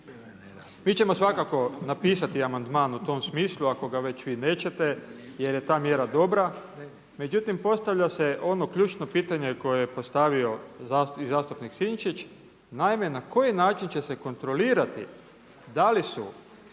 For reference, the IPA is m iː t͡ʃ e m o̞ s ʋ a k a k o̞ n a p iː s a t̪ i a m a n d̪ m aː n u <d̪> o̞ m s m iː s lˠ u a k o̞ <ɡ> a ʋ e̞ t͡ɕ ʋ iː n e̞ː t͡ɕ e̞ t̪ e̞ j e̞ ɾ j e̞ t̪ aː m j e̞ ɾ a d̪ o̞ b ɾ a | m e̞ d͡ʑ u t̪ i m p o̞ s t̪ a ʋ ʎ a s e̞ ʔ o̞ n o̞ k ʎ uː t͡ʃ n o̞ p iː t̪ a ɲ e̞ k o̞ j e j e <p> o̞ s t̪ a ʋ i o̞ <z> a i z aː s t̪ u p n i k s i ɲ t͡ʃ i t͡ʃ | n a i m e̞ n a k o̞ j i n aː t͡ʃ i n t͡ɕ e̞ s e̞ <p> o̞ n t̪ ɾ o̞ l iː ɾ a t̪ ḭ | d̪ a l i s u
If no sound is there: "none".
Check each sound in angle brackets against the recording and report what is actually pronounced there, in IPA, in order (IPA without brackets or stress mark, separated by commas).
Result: t̪, ɡ, p, z, k